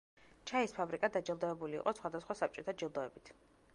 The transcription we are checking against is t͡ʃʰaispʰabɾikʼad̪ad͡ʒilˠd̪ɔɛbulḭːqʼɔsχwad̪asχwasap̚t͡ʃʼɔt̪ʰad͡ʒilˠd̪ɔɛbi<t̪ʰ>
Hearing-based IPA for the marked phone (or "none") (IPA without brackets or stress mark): t̪ʰ